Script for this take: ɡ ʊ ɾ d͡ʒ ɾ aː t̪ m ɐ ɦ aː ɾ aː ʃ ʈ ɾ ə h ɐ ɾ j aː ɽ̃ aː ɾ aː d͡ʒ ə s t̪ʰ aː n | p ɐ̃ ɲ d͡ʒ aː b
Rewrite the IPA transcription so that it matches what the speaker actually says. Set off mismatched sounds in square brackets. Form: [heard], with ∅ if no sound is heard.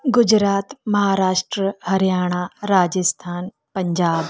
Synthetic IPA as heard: ɡ ʊ [∅] d͡ʒ ɾ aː t̪ m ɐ ɦ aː ɾ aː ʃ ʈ ɾ ə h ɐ ɾ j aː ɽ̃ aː ɾ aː d͡ʒ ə s t̪ʰ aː n | p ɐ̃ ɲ d͡ʒ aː b